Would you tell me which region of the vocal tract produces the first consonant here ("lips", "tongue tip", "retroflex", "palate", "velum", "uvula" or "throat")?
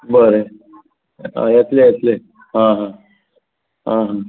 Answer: lips